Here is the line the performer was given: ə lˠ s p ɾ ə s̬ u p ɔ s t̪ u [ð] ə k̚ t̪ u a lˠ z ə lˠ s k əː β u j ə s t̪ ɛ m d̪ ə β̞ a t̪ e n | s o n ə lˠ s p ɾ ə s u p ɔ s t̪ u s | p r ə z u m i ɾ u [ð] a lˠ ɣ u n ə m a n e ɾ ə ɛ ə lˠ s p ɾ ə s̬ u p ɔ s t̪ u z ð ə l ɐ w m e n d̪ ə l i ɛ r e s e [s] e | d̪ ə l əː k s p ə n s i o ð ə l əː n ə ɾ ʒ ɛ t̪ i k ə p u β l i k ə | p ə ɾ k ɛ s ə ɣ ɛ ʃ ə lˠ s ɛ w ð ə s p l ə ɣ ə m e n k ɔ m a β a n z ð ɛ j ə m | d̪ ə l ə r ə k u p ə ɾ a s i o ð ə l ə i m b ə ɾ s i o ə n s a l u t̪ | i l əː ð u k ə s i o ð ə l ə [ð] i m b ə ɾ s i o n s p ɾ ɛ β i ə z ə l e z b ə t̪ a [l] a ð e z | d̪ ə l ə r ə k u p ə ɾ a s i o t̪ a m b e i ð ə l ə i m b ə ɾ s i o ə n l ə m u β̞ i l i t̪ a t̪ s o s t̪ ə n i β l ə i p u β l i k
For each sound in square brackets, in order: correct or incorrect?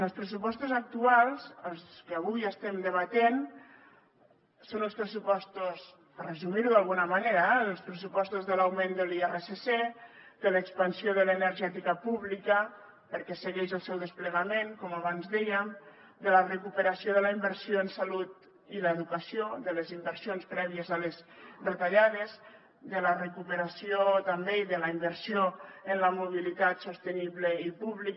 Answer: incorrect, correct, correct, incorrect, incorrect

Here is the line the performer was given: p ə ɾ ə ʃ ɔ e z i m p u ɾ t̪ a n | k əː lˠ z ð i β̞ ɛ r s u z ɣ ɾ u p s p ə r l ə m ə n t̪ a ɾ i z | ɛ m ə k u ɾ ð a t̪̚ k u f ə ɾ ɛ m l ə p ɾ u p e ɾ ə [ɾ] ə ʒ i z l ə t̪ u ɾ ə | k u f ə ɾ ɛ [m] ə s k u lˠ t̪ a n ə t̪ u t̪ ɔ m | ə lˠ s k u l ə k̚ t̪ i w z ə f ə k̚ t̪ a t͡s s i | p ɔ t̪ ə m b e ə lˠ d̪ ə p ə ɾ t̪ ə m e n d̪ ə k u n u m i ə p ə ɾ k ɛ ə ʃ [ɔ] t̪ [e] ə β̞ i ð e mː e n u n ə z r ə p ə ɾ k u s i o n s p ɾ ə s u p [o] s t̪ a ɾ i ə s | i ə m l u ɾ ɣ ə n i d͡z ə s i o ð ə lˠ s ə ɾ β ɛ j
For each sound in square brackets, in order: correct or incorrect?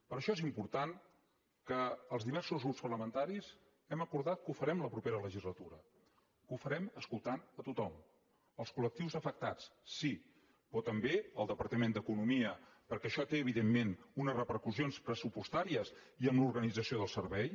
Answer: incorrect, correct, correct, correct, incorrect

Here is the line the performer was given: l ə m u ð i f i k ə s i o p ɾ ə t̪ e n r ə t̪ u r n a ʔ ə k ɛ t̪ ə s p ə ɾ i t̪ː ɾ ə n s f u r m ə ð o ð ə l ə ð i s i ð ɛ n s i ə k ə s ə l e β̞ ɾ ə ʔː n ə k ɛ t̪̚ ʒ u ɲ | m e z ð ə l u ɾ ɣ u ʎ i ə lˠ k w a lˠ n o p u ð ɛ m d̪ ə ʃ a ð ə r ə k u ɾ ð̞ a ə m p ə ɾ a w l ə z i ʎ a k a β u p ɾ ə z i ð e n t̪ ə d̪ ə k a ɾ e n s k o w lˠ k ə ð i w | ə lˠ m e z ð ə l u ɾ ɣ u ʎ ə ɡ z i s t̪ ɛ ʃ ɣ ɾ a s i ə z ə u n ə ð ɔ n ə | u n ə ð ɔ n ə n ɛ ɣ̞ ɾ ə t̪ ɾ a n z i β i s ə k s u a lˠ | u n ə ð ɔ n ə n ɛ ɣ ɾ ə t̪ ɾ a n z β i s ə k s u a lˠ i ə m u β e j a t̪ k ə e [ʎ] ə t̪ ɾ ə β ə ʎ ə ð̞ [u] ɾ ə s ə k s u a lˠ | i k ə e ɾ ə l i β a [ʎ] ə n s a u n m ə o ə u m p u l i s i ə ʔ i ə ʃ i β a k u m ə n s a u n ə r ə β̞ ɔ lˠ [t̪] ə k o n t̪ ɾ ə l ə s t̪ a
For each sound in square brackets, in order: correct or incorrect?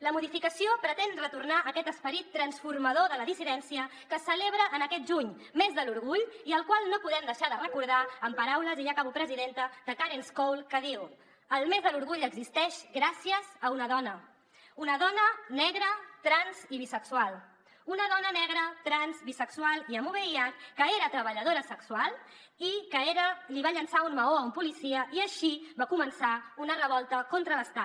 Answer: incorrect, incorrect, correct, correct

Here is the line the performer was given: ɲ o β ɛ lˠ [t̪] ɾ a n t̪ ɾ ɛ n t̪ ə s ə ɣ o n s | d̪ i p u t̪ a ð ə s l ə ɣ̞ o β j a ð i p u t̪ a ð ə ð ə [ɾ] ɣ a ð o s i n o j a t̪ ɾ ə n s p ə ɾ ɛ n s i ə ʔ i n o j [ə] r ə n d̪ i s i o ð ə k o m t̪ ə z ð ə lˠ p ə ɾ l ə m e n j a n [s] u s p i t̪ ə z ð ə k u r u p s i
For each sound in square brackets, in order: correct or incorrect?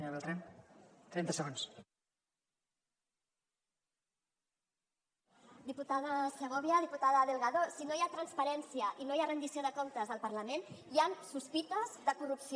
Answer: correct, incorrect, incorrect, correct

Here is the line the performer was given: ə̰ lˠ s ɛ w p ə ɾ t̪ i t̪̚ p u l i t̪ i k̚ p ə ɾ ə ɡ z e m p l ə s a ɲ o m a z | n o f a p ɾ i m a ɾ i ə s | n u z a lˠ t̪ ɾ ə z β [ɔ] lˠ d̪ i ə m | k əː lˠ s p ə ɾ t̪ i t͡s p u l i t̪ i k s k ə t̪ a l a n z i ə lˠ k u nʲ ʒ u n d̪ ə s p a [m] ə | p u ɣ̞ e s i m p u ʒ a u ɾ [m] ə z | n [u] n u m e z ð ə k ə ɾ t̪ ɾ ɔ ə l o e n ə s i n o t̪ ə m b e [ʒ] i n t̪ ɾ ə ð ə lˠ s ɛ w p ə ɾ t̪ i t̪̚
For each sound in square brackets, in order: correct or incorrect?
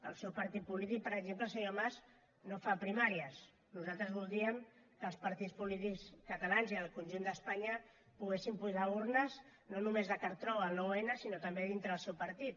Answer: incorrect, incorrect, incorrect, incorrect, incorrect

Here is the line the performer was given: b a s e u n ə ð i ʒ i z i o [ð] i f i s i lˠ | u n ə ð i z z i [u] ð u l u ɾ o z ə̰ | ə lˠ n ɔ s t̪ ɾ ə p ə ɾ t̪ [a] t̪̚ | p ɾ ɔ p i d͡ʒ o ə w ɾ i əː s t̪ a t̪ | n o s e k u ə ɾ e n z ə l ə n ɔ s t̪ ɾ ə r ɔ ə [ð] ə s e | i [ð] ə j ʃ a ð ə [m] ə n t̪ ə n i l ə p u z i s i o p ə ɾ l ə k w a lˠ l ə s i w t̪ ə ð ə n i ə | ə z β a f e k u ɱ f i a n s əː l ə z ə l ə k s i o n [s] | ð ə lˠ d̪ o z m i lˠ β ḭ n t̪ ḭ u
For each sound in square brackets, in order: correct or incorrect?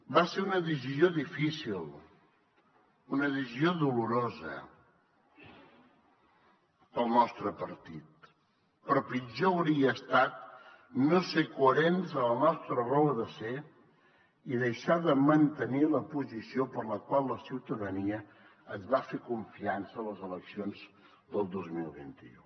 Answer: correct, incorrect, incorrect, correct, correct, correct, incorrect

